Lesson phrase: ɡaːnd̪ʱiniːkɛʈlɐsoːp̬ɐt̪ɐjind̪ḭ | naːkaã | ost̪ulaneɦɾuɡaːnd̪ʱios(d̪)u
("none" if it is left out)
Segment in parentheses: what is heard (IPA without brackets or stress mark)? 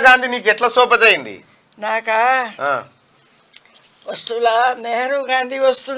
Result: t̪